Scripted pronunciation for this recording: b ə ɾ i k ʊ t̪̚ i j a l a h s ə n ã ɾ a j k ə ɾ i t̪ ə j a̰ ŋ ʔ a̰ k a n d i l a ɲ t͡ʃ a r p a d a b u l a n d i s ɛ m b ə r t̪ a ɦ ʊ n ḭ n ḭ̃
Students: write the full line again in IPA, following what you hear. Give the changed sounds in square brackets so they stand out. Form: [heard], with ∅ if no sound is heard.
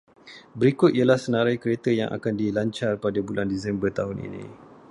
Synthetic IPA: b ə ɾ i k ʊ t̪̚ i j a l a h s ə n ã ɾ a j k ə ɾ [e] t̪ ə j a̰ ŋ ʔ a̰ k a n d i l a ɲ t͡ʃ a r p a d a b u l a n d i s ɛ m b ə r t̪ a ɦ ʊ n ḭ n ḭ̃